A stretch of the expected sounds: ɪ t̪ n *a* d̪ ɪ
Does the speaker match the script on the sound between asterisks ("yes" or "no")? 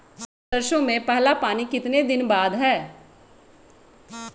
no